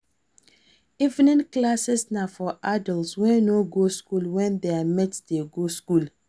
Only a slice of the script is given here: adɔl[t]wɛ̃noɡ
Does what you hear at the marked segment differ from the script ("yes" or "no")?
yes